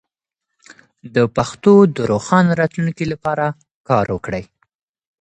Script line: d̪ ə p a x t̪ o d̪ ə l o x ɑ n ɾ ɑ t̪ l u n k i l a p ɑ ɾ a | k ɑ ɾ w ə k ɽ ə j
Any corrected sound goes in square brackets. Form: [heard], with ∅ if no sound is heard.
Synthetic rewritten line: d̪ ə p a x t̪ o d̪ ə [ɾ] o x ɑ n ɾ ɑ t̪ l u n k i l a p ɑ ɾ a | k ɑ ɾ w ə k ɽ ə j

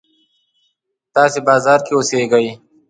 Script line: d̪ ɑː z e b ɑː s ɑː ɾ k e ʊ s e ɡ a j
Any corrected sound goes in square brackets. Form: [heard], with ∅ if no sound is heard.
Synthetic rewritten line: [t̪] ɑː [s] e b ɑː [z] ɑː ɾ k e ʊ s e ɡ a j

